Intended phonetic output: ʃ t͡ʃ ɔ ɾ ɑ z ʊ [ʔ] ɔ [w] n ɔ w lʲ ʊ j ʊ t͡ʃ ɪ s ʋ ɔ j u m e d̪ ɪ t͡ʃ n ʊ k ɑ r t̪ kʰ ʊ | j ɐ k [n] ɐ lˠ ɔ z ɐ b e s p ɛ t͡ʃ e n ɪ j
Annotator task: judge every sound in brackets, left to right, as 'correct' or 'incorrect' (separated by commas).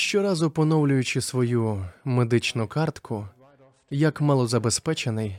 incorrect, incorrect, incorrect